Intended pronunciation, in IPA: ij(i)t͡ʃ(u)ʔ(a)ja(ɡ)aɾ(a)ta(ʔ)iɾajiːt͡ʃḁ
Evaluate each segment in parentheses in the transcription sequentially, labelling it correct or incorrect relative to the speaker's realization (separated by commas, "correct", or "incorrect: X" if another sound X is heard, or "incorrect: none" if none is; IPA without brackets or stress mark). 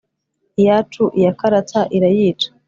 incorrect: a, correct, incorrect: i, incorrect: k, correct, correct